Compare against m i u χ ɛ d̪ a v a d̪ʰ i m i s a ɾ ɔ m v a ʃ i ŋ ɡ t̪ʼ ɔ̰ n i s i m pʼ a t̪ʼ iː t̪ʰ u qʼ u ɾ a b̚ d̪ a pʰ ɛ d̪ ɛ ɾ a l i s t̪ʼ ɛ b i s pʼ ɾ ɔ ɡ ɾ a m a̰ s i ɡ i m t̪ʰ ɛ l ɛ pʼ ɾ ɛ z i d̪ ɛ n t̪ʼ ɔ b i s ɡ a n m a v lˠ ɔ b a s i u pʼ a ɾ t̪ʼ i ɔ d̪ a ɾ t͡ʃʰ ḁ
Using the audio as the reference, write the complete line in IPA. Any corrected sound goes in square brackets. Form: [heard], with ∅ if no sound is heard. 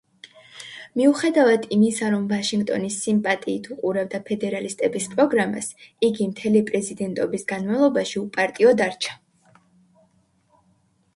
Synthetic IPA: m i u χ ɛ d̪ a v a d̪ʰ i m i s a ɾ ɔ m v a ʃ i ŋ ɡ t̪ʼ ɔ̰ n i s i m pʼ a t̪ʼ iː t̪ʰ u qʼ u ɾ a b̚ d̪ a pʰ ɛ d̪ ɛ ɾ a l i s t̪ʼ ɛ b i s pʼ ɾ ɔ ɡ ɾ a m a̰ s i ɡ i m t̪ʰ ɛ l [i] pʼ ɾ ɛ z i d̪ ɛ n t̪ʼ ɔ b i s ɡ a n m a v lˠ ɔ b a [ʃ] i u pʼ a ɾ t̪ʼ i ɔ d̪ a ɾ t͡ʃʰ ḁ